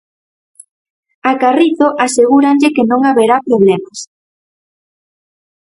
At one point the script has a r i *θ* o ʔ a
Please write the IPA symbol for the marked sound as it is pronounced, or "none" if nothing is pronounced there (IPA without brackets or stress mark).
θ